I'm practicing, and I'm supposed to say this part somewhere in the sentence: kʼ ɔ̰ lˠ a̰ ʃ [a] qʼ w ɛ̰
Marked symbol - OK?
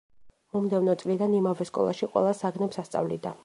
no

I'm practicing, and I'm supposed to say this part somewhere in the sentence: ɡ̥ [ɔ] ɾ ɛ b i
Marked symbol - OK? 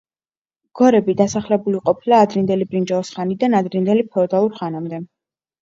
yes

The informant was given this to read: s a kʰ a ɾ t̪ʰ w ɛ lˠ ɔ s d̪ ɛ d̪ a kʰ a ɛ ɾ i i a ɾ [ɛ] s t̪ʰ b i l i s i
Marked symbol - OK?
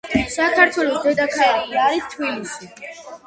no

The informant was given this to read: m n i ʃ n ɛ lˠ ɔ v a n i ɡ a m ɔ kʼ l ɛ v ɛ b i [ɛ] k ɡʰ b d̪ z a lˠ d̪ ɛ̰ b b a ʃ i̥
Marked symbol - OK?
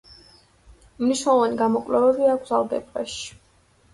no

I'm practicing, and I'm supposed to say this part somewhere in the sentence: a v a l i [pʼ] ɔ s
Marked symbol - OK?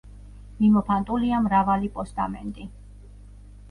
yes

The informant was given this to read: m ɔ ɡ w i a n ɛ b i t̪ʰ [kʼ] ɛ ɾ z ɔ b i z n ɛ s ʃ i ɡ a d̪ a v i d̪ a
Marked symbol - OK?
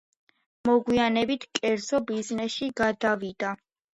yes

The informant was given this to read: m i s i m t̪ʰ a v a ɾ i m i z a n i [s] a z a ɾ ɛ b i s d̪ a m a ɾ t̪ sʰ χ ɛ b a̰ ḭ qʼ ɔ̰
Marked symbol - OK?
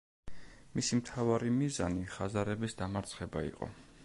no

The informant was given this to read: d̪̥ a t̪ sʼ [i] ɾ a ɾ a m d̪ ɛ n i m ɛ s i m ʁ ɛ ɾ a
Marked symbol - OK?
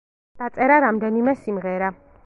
no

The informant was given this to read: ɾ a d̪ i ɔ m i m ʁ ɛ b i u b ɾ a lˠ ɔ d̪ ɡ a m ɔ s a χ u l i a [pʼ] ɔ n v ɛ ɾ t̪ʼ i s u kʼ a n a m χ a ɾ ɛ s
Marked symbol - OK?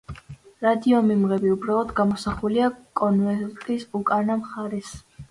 no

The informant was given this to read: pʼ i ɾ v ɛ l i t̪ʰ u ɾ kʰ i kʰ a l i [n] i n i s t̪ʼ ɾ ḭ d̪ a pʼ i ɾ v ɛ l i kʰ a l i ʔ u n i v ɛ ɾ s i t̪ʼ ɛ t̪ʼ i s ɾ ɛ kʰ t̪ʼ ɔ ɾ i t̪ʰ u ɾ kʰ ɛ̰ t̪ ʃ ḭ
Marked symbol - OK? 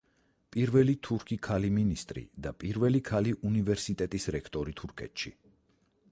no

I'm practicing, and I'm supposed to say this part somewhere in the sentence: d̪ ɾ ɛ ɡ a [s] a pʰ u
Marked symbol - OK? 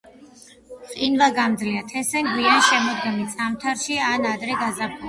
no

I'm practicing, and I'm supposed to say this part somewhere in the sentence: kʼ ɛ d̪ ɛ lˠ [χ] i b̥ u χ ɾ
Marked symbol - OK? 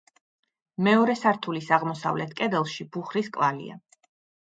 no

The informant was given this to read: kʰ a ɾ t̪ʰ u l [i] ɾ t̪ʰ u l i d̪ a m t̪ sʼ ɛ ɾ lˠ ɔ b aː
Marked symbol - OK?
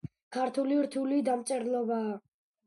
yes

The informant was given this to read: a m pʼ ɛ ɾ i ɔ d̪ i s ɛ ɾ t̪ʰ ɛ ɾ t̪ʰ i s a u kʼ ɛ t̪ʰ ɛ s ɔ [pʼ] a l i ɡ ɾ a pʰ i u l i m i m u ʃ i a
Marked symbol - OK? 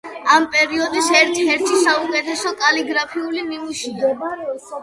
no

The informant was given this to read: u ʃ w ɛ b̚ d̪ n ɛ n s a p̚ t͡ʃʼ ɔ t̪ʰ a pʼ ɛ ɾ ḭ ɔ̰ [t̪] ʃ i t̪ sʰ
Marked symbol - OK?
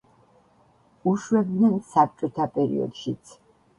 no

